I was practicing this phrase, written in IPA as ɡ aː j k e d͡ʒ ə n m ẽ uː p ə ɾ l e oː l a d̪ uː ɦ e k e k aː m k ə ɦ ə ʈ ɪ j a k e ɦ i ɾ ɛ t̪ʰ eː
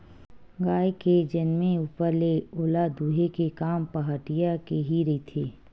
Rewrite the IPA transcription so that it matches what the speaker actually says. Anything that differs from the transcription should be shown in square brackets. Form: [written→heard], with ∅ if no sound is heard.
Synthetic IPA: ɡ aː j k e d͡ʒ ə n m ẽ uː p ə ɾ l e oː l a d̪ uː ɦ e k e k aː m [k→p] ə ɦ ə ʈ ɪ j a k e ɦ i ɾ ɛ t̪ʰ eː

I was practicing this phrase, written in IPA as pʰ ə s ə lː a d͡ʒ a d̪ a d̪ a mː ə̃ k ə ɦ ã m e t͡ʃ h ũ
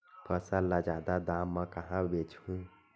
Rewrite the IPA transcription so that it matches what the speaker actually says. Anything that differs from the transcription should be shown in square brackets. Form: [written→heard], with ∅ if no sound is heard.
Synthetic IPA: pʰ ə s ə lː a d͡ʒ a d̪ a d̪ a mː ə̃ k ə ɦ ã [m→b] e t͡ʃ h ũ

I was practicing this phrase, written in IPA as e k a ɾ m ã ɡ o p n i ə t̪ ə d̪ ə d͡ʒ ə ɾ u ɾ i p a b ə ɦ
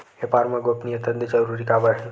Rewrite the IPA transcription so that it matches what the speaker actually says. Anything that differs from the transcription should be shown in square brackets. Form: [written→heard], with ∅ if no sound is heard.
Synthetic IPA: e [k→p] a ɾ m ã ɡ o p n i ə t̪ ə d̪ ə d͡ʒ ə ɾ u ɾ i [p→k] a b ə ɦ

